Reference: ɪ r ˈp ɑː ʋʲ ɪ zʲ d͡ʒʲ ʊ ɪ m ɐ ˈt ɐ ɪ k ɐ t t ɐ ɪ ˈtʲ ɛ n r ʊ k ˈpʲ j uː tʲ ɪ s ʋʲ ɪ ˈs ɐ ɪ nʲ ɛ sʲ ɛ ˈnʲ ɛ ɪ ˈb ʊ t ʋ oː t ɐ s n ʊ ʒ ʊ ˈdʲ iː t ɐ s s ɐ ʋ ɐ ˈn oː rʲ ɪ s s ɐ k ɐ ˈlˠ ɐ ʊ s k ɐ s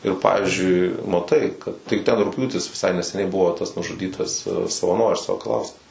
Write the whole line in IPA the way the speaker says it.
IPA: ɪ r ˈp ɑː ʋʲ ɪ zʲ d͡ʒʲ ʊ ɪ m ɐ ˈt ɐ ɪ k ɐ t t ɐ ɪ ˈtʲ ɛ n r ʊ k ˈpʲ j uː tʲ ɪ s ʋʲ ɪ ˈs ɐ ɪ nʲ ɛ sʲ ɛ ˈnʲ ɛ ɪ ˈb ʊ ʋ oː t ɐ s n ʊ ʒ ʊ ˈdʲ iː t ɐ s s ɐ ʋ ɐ ˈn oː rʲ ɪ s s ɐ k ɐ ˈlˠ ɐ ʊ s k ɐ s